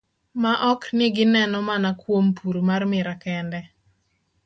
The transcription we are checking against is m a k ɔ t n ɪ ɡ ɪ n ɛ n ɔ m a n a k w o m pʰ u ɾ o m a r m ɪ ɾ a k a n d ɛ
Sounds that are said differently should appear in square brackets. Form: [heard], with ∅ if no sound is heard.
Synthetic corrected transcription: m a [ʔ] ɔ [k] n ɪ ɡ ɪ n ɛ n ɔ m a n a k w o m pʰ u ɾ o m a r m ɪ ɾ a k [ɛ] n d ɛ